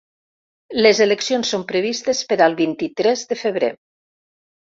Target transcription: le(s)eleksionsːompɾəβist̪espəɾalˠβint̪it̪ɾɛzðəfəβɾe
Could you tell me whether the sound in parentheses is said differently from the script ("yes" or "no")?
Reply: yes